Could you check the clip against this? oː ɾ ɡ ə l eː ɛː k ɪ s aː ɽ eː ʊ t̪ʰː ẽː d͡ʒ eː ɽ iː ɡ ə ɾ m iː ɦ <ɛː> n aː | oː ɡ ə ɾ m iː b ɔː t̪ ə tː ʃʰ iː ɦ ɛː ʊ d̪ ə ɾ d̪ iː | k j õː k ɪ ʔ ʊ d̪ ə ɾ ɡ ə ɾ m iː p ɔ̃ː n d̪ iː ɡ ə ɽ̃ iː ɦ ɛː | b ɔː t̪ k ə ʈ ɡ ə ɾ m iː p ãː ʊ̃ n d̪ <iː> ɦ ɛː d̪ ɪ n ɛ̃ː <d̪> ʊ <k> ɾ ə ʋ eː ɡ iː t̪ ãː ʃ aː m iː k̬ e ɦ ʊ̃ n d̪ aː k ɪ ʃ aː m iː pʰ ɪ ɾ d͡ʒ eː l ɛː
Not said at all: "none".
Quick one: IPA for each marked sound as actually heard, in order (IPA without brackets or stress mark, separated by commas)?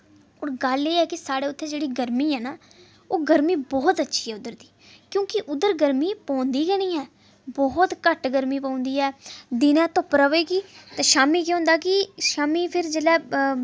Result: ɛː, iː, t̪, p